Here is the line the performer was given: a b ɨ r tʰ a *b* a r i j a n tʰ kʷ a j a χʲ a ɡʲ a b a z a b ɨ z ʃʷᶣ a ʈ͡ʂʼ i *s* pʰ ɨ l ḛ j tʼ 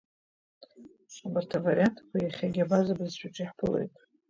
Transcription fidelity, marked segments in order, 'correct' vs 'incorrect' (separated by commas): incorrect, incorrect